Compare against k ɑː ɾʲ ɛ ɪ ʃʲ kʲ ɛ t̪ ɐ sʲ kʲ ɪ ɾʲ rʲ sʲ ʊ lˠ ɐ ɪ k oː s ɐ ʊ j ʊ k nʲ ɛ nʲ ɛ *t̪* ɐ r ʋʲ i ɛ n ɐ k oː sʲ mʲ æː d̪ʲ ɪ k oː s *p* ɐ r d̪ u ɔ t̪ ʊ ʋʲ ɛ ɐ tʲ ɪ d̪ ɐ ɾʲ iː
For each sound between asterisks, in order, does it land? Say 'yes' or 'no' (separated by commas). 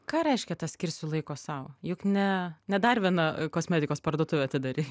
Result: no, yes